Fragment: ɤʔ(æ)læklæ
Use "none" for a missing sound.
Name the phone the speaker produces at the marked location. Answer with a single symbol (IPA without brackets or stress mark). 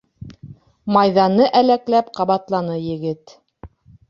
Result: æ